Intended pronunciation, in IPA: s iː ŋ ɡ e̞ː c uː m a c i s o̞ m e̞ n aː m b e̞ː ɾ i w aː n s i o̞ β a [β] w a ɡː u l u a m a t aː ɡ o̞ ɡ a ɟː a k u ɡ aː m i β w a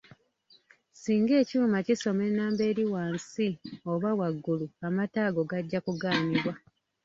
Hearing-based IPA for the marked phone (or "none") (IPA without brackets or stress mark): none